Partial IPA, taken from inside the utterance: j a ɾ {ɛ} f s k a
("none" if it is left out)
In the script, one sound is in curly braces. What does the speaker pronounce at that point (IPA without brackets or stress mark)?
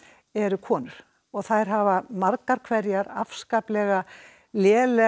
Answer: a